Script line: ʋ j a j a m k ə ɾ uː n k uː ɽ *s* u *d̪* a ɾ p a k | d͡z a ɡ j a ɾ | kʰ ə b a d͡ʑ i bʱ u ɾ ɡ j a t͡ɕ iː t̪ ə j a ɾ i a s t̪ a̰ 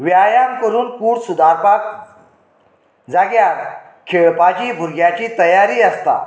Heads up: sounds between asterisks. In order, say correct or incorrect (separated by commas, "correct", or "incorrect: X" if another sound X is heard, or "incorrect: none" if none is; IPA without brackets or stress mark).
correct, correct